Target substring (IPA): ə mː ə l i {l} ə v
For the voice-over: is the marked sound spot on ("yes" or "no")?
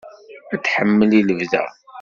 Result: yes